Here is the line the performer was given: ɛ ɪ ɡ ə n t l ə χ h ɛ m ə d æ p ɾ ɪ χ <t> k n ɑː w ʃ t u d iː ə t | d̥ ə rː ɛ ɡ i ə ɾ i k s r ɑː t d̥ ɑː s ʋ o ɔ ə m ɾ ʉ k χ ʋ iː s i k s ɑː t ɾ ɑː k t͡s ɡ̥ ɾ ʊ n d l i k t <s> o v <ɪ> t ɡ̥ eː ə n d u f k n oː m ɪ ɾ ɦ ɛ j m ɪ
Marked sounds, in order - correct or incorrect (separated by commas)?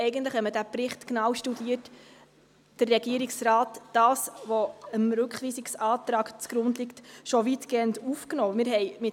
correct, incorrect, incorrect